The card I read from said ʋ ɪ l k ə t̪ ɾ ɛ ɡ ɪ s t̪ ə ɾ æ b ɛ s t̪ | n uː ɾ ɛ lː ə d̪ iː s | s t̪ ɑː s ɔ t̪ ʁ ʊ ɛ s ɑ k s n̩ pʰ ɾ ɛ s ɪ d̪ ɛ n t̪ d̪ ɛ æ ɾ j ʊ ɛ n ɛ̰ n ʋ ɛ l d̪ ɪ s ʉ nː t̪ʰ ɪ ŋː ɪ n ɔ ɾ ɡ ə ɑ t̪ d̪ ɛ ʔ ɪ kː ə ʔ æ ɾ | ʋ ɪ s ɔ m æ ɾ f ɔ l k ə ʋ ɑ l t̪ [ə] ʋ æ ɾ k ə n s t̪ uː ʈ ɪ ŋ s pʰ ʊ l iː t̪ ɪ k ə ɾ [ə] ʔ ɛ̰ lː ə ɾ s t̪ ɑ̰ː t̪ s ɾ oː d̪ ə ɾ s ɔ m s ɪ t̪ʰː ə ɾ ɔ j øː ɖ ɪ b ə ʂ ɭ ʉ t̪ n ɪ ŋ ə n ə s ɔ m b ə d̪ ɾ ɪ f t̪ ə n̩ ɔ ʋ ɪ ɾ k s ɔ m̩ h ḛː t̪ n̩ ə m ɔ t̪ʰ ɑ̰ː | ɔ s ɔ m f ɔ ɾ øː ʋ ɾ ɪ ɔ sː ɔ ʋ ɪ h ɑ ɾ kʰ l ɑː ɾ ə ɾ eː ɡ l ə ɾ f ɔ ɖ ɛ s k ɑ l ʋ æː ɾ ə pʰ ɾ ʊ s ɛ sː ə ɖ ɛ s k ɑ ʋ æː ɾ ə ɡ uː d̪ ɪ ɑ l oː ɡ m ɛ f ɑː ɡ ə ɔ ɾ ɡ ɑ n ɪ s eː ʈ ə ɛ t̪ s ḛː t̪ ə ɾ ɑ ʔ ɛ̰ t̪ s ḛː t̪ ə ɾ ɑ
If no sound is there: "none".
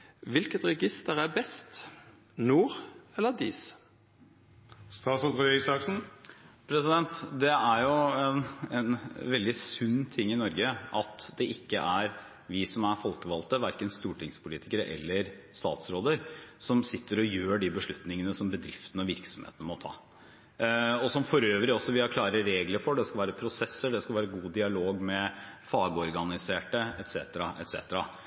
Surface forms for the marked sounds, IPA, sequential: ə, ə

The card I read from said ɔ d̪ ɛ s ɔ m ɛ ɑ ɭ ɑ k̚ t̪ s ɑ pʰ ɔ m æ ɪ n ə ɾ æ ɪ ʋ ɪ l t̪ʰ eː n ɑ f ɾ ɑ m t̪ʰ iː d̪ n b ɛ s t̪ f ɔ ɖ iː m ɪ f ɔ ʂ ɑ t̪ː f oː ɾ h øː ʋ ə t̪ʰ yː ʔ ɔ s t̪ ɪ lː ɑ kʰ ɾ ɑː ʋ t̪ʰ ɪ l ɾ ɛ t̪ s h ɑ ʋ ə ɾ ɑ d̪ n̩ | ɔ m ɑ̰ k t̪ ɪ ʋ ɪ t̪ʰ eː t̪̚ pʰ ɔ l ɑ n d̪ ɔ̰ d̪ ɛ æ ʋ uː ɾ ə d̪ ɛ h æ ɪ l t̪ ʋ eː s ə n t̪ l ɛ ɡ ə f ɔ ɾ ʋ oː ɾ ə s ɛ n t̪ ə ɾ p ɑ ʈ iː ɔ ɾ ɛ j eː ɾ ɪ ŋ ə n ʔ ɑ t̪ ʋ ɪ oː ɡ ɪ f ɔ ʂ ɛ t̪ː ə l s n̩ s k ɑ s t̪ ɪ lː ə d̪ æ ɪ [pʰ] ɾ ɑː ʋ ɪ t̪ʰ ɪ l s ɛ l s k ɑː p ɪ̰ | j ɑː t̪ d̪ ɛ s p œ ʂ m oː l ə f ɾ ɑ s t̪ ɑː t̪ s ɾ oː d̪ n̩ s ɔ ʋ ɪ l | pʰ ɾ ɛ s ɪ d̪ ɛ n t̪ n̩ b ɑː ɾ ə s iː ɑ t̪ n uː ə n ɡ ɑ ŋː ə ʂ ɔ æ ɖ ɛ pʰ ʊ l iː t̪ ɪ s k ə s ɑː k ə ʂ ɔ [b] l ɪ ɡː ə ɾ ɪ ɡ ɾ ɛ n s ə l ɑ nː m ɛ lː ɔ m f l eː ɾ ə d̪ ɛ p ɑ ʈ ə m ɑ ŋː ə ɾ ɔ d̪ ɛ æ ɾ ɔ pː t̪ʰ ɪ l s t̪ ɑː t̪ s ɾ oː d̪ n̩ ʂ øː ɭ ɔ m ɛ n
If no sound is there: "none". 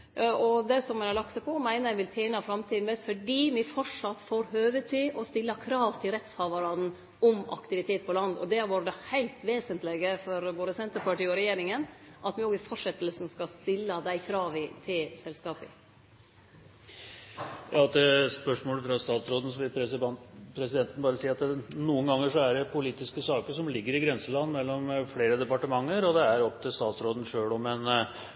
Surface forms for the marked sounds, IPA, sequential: kʰ, m

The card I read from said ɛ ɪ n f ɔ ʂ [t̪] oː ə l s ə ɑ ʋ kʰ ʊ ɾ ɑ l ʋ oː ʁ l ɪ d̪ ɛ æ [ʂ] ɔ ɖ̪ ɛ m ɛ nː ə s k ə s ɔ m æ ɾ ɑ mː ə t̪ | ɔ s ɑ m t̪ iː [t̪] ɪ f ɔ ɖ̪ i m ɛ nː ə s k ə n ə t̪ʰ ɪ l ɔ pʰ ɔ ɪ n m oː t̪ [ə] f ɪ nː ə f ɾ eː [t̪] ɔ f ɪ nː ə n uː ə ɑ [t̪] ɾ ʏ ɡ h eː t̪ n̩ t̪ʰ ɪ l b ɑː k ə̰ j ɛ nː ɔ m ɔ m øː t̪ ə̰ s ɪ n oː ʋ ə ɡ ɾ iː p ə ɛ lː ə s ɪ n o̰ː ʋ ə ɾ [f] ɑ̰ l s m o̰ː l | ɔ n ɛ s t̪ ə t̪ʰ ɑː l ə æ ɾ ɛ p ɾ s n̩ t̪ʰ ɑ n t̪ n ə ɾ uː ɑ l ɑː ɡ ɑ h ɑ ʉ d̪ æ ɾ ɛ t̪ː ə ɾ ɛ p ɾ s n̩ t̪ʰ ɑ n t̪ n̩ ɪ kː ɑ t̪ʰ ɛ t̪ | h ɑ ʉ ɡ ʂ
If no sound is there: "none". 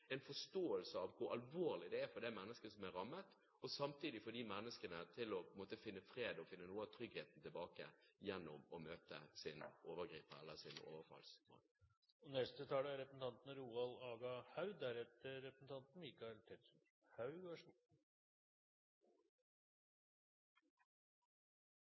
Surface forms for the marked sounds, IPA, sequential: t̪, f, d̪, ə, d̪, t̪ʰ, f

